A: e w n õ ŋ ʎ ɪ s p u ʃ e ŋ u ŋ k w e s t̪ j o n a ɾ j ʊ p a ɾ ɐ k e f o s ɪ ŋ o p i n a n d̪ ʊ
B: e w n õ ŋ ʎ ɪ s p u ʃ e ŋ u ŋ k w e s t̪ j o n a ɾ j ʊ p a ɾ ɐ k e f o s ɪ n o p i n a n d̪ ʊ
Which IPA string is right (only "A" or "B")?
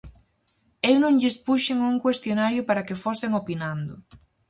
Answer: A